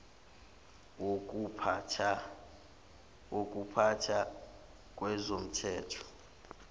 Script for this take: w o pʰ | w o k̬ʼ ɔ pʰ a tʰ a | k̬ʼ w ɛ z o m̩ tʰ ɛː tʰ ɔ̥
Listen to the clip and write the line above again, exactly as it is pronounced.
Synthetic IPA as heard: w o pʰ | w o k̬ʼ u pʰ a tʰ a | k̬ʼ w ɛ z o m̩ tʰ ɛː tʰ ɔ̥